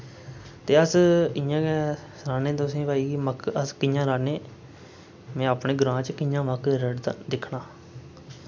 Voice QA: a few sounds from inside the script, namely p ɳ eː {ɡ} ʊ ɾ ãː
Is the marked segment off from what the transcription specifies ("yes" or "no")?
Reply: no